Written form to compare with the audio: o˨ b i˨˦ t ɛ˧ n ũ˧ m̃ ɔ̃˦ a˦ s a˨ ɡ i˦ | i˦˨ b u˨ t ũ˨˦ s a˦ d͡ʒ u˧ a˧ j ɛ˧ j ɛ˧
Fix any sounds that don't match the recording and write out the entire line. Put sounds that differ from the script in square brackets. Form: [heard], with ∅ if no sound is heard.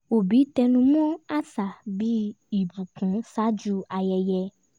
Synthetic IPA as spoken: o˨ b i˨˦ t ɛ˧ n ũ˧ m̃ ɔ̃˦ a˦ s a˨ [b] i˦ | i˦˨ b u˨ [k] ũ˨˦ s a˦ d͡ʒ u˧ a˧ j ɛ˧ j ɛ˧